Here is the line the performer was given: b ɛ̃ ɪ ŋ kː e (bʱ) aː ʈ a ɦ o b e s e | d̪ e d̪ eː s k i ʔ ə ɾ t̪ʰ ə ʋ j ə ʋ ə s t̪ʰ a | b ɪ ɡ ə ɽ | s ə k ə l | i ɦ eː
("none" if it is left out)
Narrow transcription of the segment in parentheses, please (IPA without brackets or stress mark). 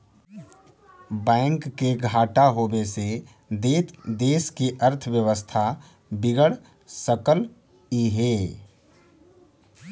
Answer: ɡʱ